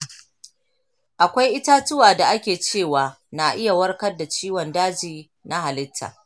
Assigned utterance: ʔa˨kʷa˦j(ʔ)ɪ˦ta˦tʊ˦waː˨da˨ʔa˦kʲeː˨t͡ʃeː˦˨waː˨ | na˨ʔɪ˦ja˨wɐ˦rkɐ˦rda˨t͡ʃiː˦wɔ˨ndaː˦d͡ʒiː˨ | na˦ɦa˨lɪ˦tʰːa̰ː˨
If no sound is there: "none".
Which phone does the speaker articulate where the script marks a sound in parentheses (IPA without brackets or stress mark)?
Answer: ʔ